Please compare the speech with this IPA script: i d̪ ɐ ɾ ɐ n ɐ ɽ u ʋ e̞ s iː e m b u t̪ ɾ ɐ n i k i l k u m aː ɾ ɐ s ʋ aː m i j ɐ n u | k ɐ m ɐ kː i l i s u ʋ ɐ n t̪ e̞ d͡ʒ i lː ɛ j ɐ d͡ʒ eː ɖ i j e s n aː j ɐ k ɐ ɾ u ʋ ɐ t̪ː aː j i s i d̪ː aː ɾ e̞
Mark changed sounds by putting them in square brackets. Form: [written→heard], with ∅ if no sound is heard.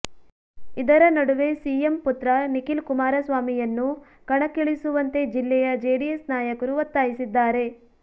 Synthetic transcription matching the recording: i d̪ ɐ ɾ ɐ n ɐ ɽ u ʋ e̞ s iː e m [b→p] u t̪ ɾ ɐ n i k i l k u m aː ɾ ɐ s ʋ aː m i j ɐ [n→nː] u | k ɐ [m→ɳ] ɐ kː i [l→ɭ] i s u ʋ ɐ n t̪ e̞ d͡ʒ i lː ɛ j ɐ d͡ʒ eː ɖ i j e s n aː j ɐ k ɐ ɾ u ʋ ɐ t̪ː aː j i s i d̪ː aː ɾ e̞

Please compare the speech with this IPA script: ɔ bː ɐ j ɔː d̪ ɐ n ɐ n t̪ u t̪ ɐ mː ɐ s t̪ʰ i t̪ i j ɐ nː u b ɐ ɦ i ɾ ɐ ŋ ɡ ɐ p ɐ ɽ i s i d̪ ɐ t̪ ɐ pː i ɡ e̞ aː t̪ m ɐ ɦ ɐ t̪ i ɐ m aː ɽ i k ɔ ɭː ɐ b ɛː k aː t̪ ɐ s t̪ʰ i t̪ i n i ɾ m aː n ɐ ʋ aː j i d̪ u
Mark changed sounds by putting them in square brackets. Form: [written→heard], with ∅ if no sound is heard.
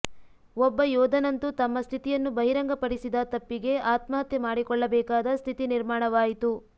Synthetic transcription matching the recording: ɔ bː ɐ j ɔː d̪ ɐ n ɐ n t̪ u t̪ ɐ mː ɐ s t̪ʰ i t̪ i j ɐ nː u b ɐ ɦ i ɾ ɐ ŋ ɡ ɐ p ɐ ɽ i s i d̪ ɐ t̪ ɐ pː i ɡ e̞ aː t̪ m ɐ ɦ ɐ t̪ [i→j] ɐ m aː ɽ i k ɔ ɭː ɐ b ɛː k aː [t̪→d̪] ɐ s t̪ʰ i t̪ i n i ɾ m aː [n→ɳ] ɐ ʋ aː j i [d̪→t̪] u

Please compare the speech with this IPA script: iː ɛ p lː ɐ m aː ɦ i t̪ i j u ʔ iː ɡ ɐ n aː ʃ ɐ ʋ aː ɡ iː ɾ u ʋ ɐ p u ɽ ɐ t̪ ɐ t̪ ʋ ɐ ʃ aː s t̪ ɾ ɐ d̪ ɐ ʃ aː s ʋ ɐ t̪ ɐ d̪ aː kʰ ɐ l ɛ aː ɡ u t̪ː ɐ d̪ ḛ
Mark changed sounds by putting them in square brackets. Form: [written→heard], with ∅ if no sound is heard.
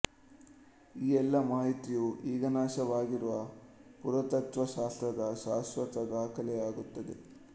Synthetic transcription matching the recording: iː ɛ [p→∅] lː ɐ m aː ɦ i t̪ i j u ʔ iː ɡ ɐ n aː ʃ ɐ ʋ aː ɡ [iː→i] ɾ u ʋ ɐ p u [ɽ→ɾ] ɐ t̪ ɐ t̪ ʋ ɐ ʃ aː s t̪ ɾ ɐ d̪ ɐ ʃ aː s ʋ ɐ t̪ ɐ d̪ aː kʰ ɐ l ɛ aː ɡ u t̪ː ɐ d̪ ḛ

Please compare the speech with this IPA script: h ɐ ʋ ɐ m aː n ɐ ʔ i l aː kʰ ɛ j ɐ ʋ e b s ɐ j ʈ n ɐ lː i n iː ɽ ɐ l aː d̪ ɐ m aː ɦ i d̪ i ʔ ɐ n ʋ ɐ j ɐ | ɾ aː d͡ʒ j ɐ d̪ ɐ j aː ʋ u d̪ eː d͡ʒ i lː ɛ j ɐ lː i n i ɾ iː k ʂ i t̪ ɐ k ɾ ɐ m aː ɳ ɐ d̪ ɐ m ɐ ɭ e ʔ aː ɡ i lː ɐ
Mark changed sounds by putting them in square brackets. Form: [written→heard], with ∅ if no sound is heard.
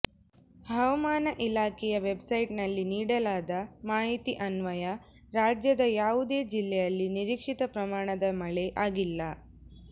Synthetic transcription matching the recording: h ɐ ʋ ɐ m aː n ɐ ʔ i l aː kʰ ɛ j ɐ ʋ e b s ɐ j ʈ n ɐ lː i n iː ɽ ɐ l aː d̪ ɐ m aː ɦ i [d̪→t̪] i ʔ ɐ n ʋ ɐ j ɐ | ɾ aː d͡ʒ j ɐ d̪ ɐ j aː ʋ u d̪ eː d͡ʒ i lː ɛ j ɐ lː i n i ɾ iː k ʂ i t̪ ɐ [k→p] ɾ ɐ m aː ɳ ɐ d̪ ɐ m ɐ ɭ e ʔ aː ɡ i lː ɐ

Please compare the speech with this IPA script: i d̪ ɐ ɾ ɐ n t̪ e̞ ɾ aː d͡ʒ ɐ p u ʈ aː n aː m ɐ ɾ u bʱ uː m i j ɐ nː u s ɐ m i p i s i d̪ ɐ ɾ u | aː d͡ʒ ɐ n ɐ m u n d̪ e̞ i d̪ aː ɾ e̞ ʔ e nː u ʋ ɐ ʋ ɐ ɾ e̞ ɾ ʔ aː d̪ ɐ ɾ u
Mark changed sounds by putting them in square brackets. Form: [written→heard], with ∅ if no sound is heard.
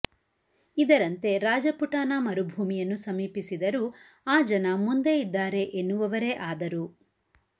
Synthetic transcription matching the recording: i d̪ ɐ ɾ ɐ n t̪ e̞ ɾ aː d͡ʒ ɐ p u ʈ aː n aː m ɐ ɾ u bʱ uː m i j ɐ nː u s ɐ m [i→iː] p i s i d̪ ɐ ɾ u | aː d͡ʒ ɐ n ɐ m u n d̪ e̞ i [d̪→d̪ː] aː ɾ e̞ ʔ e nː u ʋ ɐ ʋ ɐ ɾ e̞ [ɾ→∅] ʔ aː d̪ ɐ ɾ u

